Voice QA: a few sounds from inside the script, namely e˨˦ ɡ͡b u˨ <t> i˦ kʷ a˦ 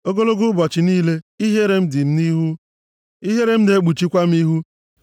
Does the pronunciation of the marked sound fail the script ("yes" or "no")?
yes